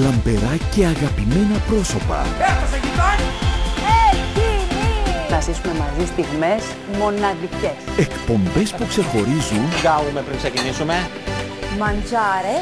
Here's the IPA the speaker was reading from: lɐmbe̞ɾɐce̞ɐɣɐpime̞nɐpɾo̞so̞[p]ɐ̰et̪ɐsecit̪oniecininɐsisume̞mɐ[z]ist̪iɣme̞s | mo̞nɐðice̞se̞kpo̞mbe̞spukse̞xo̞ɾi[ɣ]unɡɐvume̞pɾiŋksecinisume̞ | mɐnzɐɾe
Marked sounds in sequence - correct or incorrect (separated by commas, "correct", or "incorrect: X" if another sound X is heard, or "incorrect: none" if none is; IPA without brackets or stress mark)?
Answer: correct, correct, incorrect: z